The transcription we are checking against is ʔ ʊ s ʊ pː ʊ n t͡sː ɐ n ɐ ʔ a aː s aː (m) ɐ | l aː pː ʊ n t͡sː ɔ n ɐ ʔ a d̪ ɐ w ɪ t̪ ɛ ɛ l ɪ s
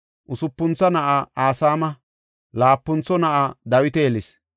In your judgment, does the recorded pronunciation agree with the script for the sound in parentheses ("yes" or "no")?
yes